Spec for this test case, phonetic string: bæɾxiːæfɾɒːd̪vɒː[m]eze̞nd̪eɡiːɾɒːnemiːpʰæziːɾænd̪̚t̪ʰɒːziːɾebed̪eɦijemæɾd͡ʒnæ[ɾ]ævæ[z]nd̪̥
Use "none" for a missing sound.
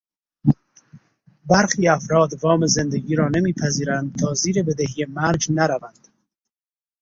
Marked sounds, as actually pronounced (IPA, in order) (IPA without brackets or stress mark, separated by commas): m, ɾ, none